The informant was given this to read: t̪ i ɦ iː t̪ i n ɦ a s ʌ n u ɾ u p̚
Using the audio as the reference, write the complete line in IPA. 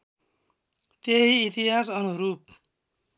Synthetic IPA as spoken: t̪ e ɦ iː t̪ i ɦ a s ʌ n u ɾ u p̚